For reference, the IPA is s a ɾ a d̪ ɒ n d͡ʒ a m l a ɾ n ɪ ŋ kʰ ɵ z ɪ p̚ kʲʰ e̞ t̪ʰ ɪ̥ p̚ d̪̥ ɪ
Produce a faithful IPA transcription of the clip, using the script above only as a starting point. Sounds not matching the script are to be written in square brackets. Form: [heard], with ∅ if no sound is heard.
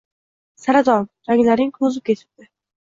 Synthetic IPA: s a ɾ a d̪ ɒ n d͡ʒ a [ŋ] l a ɾ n ɪ ŋ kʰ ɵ z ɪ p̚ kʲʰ e̞ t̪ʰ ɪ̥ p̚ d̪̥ ɪ